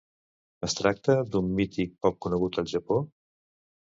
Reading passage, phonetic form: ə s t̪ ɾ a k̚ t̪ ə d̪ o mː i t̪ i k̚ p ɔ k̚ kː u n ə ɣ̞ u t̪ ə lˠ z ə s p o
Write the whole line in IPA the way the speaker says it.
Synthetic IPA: ə s t̪ ɾ a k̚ t̪ ə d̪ u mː i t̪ i k̚ p ɔ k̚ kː u n ə ɣ̞ u t̪ ə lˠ ʒ ə p o